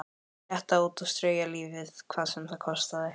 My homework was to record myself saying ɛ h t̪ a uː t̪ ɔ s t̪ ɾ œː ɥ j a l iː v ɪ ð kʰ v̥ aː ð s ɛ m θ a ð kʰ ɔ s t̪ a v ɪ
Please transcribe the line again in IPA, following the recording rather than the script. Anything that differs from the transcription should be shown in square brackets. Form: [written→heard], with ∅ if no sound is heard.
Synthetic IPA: ɛ h t̪ a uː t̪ ɔ s t̪ ɾ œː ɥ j a l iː v ɪ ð kʰ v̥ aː ð s ɛ m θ a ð kʰ ɔ s t̪ a [v→ð] ɪ